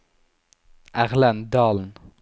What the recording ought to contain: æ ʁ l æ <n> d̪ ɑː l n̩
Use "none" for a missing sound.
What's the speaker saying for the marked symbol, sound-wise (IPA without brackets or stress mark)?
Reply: n